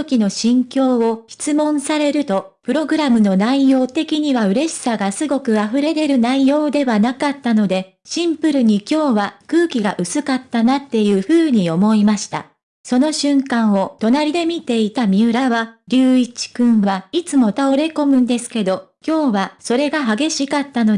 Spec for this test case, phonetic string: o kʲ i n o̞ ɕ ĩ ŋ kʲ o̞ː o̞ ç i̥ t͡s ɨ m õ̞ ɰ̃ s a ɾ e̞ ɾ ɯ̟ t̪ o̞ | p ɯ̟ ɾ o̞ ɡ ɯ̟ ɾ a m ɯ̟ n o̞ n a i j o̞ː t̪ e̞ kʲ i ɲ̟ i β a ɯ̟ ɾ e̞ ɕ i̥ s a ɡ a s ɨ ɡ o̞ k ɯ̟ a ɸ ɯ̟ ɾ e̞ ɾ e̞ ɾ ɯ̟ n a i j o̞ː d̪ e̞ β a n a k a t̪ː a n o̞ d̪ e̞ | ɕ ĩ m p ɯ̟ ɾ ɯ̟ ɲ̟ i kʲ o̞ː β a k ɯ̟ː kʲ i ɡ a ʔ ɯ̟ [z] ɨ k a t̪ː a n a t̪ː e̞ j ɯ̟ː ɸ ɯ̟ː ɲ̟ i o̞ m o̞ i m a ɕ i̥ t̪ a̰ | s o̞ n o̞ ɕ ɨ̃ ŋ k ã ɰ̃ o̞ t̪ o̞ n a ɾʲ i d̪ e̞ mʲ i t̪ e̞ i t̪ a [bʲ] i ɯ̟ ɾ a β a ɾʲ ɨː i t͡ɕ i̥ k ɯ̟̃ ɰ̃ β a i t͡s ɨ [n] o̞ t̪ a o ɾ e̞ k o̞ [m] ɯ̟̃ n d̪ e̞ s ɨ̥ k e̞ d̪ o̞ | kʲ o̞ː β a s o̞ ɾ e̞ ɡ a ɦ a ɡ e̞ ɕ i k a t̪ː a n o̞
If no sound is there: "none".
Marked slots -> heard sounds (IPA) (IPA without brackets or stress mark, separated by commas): s, mʲ, m, m